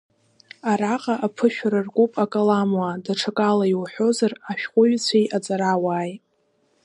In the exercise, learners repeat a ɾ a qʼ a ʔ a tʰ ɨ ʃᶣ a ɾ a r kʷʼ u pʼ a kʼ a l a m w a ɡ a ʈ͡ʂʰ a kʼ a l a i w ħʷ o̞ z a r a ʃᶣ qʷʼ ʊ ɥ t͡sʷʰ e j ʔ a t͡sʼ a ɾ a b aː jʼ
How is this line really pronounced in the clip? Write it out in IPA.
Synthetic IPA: a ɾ a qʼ a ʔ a pʰ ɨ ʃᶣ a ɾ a r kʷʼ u pʼ a kʼ a l a m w a d a ʈ͡ʂʰ a kʼ a l a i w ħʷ o̞ z a r a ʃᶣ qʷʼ ʊ ɥ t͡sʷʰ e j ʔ a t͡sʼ a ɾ a w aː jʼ